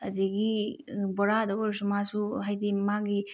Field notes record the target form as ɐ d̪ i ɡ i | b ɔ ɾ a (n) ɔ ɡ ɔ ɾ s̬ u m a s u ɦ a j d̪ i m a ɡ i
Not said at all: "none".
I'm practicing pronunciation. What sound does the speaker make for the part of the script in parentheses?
d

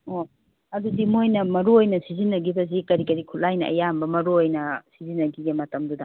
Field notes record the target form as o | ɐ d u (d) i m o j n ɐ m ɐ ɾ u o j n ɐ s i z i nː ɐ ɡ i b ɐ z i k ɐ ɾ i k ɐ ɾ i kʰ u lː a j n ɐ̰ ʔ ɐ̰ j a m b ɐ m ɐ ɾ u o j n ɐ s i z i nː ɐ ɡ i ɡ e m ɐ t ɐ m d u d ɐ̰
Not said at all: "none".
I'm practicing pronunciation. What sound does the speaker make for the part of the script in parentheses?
d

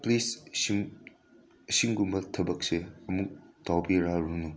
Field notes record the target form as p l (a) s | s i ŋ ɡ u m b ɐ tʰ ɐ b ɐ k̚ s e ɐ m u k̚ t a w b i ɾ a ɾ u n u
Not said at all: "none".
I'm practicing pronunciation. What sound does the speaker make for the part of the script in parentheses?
i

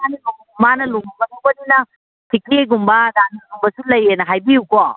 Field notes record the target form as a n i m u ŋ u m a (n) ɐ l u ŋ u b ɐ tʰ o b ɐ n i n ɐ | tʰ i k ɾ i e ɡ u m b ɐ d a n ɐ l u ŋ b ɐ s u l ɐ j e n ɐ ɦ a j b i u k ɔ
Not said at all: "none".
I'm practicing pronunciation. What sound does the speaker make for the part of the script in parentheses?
n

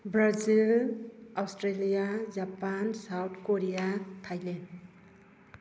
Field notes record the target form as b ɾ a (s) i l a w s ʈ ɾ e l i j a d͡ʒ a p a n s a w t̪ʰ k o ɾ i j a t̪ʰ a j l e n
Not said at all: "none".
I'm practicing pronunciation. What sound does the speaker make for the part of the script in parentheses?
z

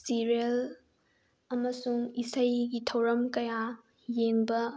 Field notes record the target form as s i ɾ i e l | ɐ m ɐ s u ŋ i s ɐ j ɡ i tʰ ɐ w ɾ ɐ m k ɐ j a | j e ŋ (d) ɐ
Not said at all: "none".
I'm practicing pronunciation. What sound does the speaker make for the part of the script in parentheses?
b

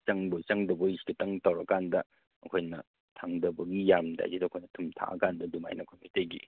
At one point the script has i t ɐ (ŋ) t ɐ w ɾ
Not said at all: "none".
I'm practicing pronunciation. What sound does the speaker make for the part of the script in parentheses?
ŋ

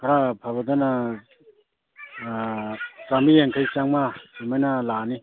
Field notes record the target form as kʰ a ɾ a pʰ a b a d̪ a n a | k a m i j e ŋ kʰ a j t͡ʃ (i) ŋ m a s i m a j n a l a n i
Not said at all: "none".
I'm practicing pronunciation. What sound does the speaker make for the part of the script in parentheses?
a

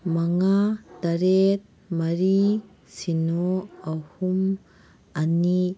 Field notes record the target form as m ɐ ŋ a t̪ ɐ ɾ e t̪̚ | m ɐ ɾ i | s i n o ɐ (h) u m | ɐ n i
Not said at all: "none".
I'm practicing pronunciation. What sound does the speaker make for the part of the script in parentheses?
h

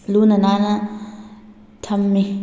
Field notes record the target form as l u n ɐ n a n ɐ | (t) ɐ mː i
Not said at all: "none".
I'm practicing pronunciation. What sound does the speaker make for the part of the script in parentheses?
tʰ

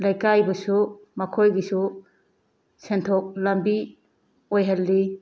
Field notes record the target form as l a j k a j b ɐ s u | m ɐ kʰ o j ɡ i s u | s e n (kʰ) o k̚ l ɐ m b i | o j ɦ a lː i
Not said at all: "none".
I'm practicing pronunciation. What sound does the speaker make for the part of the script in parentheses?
tʰ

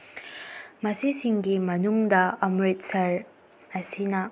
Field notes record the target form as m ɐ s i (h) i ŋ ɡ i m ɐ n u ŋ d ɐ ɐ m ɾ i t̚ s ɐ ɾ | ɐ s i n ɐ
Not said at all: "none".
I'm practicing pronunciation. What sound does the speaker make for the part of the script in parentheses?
s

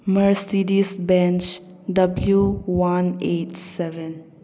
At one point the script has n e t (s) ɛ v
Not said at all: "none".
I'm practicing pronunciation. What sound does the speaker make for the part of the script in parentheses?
s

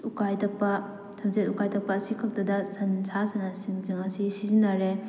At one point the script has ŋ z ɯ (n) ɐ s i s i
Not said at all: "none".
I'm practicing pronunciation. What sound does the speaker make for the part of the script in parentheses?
ŋ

